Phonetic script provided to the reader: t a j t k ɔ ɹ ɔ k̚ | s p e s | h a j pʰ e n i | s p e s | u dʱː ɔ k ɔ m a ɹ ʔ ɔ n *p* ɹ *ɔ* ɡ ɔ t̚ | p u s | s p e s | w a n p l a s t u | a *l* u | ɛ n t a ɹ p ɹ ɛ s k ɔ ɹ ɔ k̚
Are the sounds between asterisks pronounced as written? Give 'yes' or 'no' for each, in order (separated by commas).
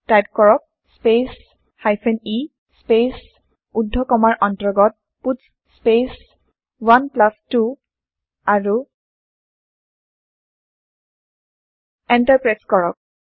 no, yes, no